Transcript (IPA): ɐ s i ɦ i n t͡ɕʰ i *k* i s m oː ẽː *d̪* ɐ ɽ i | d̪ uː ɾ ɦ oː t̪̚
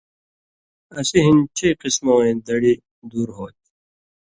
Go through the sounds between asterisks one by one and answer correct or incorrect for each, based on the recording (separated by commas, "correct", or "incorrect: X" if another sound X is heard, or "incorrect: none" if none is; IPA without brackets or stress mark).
incorrect: q, correct